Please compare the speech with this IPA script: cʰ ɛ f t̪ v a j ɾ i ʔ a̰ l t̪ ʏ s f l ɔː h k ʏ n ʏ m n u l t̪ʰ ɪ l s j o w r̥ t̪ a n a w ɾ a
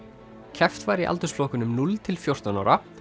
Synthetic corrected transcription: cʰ ɛ f t̪ v a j ɾ i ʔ a̰ l t̪ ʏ s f l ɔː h k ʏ n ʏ m n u l t̪ʰ ɪ l f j o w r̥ t̪ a n a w ɾ a